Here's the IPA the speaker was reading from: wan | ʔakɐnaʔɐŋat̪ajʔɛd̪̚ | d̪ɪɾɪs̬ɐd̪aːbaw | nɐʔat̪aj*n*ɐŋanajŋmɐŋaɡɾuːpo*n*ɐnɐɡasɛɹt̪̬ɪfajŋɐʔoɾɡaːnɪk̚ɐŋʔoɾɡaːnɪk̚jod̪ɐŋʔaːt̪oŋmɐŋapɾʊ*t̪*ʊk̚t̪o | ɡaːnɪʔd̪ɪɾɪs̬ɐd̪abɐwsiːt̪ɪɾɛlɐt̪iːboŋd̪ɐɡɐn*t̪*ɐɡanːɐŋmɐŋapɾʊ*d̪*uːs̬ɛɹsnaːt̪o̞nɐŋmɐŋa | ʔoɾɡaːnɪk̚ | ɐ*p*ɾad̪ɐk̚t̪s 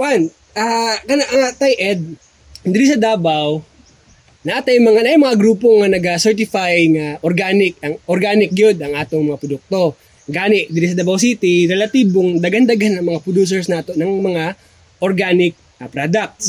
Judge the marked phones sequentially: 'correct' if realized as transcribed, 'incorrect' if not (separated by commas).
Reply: incorrect, incorrect, incorrect, incorrect, correct, correct